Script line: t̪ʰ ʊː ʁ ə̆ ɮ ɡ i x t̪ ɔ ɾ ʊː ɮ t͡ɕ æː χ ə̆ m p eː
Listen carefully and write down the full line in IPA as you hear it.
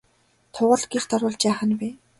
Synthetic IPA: t̪ʰ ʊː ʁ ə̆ ɮ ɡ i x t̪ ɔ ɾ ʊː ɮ t͡ɕ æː χ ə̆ n p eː

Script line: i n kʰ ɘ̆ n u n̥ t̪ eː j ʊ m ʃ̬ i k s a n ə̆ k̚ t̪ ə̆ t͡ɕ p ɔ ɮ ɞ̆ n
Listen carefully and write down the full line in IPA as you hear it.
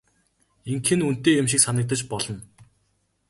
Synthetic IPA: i ŋ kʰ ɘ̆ n u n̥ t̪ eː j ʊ m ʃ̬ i k s a n ə̆ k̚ t̪ ə̆ t͡ɕ p ɔ ɮ ɞ̆ n

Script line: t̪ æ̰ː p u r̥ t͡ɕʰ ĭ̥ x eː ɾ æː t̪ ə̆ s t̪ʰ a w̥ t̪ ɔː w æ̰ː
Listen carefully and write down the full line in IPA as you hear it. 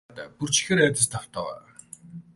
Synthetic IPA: t̪ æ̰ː p u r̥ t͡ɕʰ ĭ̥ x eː ɾ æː t̪ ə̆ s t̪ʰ a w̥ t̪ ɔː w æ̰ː

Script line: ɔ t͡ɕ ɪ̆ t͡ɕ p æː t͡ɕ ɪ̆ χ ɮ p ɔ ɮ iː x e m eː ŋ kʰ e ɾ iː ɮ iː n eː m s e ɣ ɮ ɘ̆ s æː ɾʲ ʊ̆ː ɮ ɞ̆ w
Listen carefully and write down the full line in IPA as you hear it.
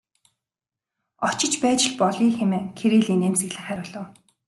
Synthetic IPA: ɔ t͡ɕ ɪ̆ t͡ɕ p æː t͡ɕ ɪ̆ ɮ p ɔ ɮ iː x e m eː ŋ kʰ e ɾ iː ɮ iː n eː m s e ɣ ɮ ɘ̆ χ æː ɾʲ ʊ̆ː ɮ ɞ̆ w

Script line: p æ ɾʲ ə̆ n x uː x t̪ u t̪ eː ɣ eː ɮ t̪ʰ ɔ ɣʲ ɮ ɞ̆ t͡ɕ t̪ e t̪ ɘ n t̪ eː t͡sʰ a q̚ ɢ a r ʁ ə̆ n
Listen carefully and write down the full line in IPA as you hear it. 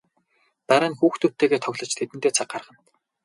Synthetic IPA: p æ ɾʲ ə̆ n x uː x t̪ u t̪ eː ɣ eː t̪ʰ ɔ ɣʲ ɮ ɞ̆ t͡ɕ t̪ʰ e t̪ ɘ n t̪ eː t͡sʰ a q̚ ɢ a r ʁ ə̆ n

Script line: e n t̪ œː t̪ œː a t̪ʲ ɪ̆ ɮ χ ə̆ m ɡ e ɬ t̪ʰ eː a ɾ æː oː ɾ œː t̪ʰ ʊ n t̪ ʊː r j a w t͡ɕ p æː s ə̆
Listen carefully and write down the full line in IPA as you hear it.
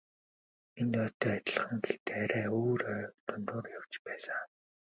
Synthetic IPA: e n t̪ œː t̪ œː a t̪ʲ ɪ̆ ɮ χ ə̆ ŋ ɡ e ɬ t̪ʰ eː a ɾ æː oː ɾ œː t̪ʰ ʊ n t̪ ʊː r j a w t͡ɕ p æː s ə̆

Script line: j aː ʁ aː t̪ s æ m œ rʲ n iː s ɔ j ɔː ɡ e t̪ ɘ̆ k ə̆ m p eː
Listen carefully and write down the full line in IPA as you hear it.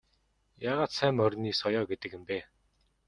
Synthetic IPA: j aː ʁ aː t̪ s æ m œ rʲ n iː s ɔ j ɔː ɡ e t̪ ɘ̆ k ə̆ m p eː

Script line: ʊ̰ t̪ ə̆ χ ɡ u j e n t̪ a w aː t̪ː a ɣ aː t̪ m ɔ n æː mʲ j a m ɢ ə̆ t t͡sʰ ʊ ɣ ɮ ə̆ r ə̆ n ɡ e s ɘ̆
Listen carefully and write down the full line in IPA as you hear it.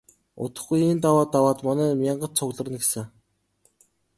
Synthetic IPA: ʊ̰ t̪ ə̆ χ ɡ u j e n t̪ a w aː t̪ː a w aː t̪ m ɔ n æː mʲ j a ɴ ɢ ə̆ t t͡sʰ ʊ ɣ ɮ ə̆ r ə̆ n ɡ e s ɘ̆

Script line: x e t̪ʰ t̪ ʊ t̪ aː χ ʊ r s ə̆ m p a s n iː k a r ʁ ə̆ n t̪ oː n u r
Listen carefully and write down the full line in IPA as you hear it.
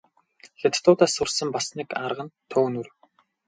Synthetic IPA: x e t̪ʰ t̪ ʊː t̪ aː s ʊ r s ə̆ m p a s n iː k a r ʁ ə̆ n t̪ʰ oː n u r

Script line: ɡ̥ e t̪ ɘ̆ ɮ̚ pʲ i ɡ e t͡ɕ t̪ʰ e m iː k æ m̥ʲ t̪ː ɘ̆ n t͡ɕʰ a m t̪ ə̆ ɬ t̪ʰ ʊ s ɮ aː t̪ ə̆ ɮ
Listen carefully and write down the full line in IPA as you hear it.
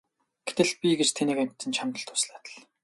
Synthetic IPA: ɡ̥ e t̪ ɘ̆ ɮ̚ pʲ i ɡ e t͡ɕ t̪ʰ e n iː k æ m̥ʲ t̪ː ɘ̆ n t͡ɕʰ a m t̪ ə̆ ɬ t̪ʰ ʊ s ɮ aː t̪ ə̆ ɮ

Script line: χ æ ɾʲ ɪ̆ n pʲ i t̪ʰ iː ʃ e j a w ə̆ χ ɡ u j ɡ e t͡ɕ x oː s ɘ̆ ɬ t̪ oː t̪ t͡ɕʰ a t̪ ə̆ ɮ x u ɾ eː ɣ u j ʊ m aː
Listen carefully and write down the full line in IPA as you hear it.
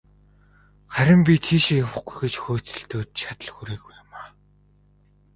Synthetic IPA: χ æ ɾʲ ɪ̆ m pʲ i t̪ʰ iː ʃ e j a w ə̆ χ ɡ u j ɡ e t͡ɕ x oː t͡s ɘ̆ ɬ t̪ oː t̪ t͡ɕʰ a t̪ ə̆ ɮ x u ɾ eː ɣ u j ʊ m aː

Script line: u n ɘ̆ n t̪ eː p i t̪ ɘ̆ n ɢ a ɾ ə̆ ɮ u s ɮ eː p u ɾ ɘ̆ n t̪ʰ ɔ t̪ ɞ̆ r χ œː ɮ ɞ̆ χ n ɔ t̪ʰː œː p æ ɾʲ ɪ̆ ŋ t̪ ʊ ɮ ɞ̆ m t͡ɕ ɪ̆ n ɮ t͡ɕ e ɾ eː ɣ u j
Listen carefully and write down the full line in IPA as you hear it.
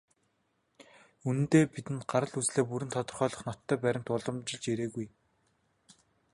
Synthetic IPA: u n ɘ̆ n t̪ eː p i t̪ ɘ̆ n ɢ a ɾ ə̆ ɮ u t͡s ɮ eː p u ɾ ɘ̆ n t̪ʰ ɔ t̪ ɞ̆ r χ œː ɮ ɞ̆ χ n ɔ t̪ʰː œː p æ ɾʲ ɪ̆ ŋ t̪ ʊ ɮ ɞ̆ m t͡ɕ ɪ̆ ɮ t͡ɕ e ɾ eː ɣ u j

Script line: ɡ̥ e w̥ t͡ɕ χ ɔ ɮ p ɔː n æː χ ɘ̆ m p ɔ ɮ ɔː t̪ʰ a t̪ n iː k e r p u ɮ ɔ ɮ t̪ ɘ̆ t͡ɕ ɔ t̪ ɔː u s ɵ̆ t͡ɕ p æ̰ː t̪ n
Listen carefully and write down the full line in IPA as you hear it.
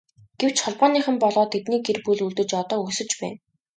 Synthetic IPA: ɡ̥ e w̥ t͡ɕ χ ɔ ɮ p ɔː n iː χ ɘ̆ m p ɔ ɮ ɔː t̪ʰ e t̪ n iː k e r p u ɮ u ɮ t̪ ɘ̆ t͡ɕ ɔ t̪ ɔː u s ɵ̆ t͡ɕ p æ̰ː n

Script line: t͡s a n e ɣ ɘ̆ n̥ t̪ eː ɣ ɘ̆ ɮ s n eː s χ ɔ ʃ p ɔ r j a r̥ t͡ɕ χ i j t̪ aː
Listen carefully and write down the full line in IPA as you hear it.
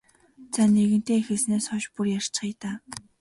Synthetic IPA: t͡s a n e ɣ ɘ̆ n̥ t̪ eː x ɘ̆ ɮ s n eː s χ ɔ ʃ p u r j a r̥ t͡ɕ χ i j t̪ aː

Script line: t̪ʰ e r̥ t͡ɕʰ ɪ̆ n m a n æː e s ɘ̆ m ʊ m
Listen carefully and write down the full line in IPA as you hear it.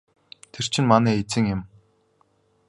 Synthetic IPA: t̪ʰ e r̥ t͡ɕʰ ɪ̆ n m a n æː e t͡s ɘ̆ ŋ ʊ m

